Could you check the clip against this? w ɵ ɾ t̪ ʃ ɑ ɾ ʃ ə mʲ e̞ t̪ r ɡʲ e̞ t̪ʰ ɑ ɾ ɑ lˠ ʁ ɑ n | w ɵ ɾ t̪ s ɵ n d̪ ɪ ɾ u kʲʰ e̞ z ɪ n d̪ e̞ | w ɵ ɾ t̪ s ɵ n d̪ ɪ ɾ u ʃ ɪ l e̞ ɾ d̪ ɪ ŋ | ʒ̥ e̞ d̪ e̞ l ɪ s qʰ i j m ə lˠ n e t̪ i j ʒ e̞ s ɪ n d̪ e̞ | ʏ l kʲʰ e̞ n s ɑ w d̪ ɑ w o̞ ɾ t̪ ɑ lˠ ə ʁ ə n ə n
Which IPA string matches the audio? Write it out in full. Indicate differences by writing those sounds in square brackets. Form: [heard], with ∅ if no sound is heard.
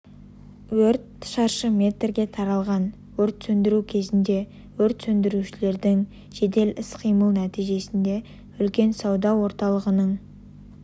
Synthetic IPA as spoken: w ɵ ɾ t̪ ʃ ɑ ɾ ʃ ə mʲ e̞ t̪ r ɡʲ e̞ t̪ʰ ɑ ɾ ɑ lˠ ʁ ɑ n | w ɵ ɾ t̪ s ɵ n d̪ ɪ ɾ u kʲʰ e̞ z ɪ n d̪ e̞ | w ɵ ɾ t̪ s ɵ n d̪ ɪ ɾ u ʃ ɪ l e̞ ɾ d̪ ɪ ŋ | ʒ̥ e̞ d̪ e̞ l ɪ s qʰ i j m ə lˠ n [æ] t̪ i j ʒ e̞ s ɪ n d̪ e̞ | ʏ l [kʲ] e̞ n s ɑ w d̪ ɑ w o̞ ɾ t̪ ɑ lˠ ə ʁ ə n ə [ɴ]